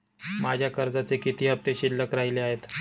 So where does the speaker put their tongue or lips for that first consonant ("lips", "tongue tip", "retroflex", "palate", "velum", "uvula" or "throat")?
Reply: lips